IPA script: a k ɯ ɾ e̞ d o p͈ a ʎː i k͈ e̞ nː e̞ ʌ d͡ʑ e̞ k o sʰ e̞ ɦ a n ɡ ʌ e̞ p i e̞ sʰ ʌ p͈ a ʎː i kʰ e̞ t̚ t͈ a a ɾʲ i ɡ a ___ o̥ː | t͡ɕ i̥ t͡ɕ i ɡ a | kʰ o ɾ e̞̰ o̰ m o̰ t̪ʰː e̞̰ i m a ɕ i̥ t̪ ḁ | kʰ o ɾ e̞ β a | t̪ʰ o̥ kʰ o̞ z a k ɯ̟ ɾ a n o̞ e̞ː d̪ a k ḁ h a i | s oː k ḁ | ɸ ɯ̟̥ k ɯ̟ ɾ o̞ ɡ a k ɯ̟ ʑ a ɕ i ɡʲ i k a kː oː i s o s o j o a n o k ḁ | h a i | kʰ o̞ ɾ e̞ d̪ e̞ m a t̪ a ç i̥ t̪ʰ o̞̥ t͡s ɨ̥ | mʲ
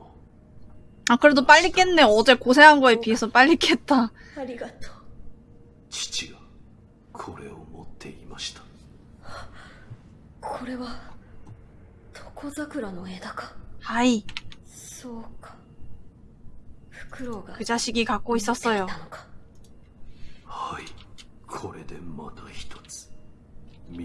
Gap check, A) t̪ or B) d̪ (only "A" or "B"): A